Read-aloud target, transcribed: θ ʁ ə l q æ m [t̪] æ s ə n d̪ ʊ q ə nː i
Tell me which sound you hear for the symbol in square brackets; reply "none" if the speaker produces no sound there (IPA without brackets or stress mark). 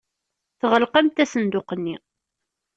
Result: t̪